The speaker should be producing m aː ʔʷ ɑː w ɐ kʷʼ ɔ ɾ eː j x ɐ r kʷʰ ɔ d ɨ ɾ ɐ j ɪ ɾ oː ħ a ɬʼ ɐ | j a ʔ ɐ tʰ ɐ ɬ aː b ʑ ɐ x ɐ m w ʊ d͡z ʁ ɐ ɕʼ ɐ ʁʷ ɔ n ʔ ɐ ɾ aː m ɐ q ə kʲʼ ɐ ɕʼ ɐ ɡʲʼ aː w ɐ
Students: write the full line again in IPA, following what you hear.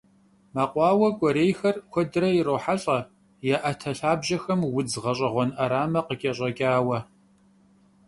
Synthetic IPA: m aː qʷ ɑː w ɐ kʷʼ ɔ ɾ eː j x ɐ r kʷʰ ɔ d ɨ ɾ ɐ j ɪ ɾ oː ħ a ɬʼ ɐ | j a ʔ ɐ tʰ ɐ ɬ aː b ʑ ɐ x ɐ m w ʊ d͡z ʁ ɐ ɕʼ ɐ ʁʷ ɔ n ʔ ɐ ɾ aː m ɐ q ə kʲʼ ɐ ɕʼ ɐ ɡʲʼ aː w ɐ

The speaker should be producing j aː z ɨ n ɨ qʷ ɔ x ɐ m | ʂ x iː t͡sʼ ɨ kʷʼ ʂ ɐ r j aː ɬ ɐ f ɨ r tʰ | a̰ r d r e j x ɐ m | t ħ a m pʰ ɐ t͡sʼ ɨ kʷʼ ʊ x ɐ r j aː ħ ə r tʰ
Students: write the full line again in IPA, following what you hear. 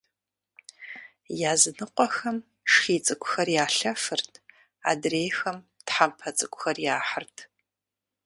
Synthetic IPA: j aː z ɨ n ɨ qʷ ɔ x ɐ m | ʂ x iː t͡sʼ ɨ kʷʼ x ɐ r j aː ɬ ɐ f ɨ r tʰ | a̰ d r e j x ɐ m | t ħ a m pʰ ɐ t͡sʼ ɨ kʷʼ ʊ x ɐ r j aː ħ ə r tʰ

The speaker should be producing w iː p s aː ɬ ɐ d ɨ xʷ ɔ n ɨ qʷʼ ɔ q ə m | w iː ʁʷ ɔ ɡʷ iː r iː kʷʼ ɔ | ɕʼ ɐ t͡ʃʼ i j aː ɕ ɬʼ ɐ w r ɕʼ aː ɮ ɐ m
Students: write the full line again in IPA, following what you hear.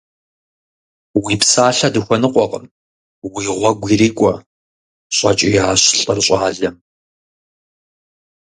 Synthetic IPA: w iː p s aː ɬ ɐ d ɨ xʷ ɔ n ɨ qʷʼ ɔ q ə m | w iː ʁʷ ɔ ɡʷ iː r iː kʷʼ ɔ | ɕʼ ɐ t͡ʃʼ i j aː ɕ ɬʼ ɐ r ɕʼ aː ɮ ɐ m

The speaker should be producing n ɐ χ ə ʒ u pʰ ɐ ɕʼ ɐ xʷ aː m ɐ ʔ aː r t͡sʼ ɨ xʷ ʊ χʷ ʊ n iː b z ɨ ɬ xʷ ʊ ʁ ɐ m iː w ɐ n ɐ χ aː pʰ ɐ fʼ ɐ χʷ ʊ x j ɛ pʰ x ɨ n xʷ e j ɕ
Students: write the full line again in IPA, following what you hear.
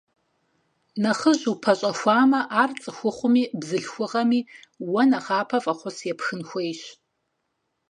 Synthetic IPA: n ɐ χ ə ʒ u pʰ ɐ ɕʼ ɐ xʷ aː m ɐ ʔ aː r t͡sʼ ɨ xʷ ʊ χʷ ʊ m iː b z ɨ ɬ xʷ ʊ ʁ ɐ m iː w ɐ n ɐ χ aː pʰ ɐ fʼ ɐ χʷ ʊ s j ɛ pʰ x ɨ n xʷ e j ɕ

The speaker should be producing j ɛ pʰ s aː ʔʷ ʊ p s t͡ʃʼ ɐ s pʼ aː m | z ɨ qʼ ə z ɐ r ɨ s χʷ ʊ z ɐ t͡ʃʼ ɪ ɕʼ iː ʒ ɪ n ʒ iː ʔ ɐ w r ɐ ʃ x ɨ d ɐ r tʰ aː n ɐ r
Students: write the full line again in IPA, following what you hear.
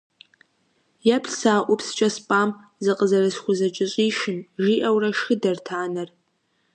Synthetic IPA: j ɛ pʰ s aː ʔʷ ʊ p s t͡ʃʼ ɐ s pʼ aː m | z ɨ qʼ ə z ɐ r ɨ s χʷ ʊ z ɐ t͡ʃʼ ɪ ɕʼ iː ʃ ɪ n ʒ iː ʔ ɐ w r ɐ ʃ x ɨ d ɐ r tʰ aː n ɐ r

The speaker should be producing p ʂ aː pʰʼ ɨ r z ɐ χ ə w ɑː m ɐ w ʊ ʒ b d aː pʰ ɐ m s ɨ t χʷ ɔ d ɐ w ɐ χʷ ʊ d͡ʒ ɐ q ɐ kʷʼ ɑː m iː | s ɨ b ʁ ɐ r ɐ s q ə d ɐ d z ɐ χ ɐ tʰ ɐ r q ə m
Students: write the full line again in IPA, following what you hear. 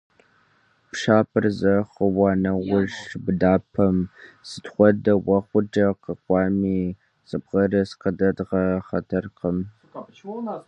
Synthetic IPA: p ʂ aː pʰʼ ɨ r z ɐ χ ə w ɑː n ɐ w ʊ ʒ b d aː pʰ ɐ m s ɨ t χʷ ɔ d ɐ w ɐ χʷ ʊ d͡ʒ ɐ q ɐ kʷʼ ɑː m iː | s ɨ b ʁ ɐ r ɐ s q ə d ɐ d ʁ ɐ χ ɐ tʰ ɐ r q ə m

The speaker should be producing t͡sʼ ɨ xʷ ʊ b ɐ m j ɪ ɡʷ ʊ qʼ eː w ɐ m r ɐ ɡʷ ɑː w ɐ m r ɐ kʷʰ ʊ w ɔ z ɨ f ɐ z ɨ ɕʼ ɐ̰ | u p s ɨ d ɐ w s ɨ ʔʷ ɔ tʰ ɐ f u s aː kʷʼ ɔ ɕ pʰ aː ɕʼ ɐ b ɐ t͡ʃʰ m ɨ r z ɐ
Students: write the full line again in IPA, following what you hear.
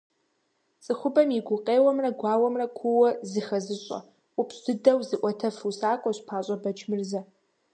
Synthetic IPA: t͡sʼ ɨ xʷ ʊ b ɐ m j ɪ ɡʷ ʊ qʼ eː w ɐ m r ɐ ɡʷ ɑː w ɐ m r ɐ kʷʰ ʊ w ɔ z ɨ x ɐ z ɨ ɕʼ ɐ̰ | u p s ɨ d ɐ w z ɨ ʔʷ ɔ tʰ ɐ f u s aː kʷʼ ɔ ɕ pʰ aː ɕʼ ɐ b ɐ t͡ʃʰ m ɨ r z ɐ

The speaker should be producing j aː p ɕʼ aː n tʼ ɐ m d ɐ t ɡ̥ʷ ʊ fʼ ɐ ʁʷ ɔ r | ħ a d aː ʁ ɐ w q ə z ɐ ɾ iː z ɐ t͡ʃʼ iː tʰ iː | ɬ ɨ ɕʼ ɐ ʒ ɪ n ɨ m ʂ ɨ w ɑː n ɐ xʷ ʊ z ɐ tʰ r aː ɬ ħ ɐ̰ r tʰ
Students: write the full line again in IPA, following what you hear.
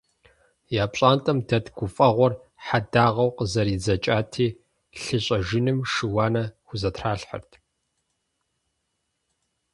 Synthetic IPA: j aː p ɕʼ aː n tʼ ɐ m d ɐ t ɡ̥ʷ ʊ fʼ ɐ ʁʷ ɔ r | ħ a d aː ʁ ɐ w q ə z ɐ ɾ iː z ɐ t͡ʃʼ aː tʰ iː | ɬ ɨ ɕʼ ɐ ʒ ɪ n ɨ m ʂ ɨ w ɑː n ɐ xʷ ʊ z ɐ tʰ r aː ɬ ħ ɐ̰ r tʰ

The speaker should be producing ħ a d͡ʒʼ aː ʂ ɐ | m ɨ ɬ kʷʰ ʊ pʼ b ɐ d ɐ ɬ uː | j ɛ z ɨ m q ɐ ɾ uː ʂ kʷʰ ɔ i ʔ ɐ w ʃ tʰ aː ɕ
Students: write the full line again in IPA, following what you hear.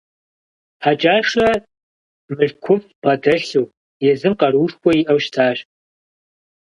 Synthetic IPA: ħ a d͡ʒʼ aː ʂ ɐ | m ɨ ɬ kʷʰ ʊ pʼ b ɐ d ɐ ɬ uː | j ɛ z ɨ m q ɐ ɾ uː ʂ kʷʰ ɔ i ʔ ɐ w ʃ tʰ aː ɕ

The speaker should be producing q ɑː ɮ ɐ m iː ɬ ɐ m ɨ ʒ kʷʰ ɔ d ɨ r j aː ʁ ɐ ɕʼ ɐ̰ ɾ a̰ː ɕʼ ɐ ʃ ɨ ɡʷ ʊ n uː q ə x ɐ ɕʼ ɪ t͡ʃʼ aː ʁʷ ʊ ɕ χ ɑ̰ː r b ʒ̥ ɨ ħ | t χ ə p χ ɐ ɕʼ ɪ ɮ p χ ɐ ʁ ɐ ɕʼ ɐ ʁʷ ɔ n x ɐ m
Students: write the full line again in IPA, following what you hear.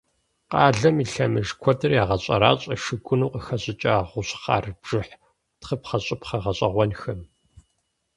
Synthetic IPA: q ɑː ɮ ɐ m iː ɬ ɐ m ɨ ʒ kʷʰ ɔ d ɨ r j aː ʁ ɐ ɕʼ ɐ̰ ɾ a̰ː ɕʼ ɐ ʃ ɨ ɡʷ ʊ n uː q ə x ɐ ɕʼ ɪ t͡ʃʼ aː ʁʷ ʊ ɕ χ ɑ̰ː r b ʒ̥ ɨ ħ | t χ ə p χ ɐ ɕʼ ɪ p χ ɐ ʁ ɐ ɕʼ ɐ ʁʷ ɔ n x ɐ m

